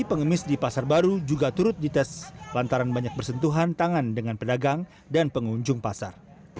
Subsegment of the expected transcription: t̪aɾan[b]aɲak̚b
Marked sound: correct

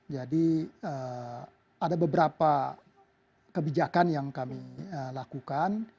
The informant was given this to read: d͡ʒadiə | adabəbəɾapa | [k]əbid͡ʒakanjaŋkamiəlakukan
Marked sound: correct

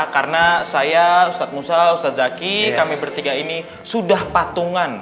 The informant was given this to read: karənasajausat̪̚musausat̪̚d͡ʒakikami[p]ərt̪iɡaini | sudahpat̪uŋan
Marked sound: incorrect: b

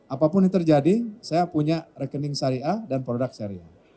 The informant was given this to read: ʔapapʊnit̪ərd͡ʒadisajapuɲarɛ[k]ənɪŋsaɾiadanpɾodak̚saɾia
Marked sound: correct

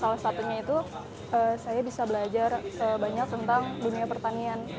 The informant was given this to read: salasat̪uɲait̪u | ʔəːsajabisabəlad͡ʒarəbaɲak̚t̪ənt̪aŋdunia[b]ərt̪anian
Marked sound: incorrect: p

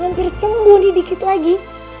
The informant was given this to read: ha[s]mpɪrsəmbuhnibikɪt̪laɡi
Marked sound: incorrect: none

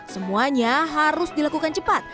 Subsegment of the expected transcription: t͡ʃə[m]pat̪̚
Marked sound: incorrect: none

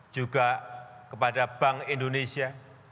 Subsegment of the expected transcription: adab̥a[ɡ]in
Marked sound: incorrect: ŋ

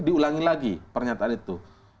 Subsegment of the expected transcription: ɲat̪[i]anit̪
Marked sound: incorrect: a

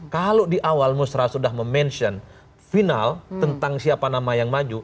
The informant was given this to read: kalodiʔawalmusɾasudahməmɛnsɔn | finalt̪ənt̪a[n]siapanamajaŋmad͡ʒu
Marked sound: incorrect: ŋ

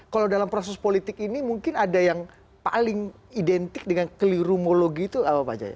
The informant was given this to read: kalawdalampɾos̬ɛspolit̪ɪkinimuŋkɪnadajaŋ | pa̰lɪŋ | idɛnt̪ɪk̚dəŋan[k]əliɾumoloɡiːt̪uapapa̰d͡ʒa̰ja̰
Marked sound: correct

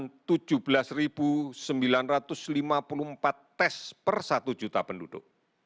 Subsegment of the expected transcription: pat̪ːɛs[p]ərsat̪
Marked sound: correct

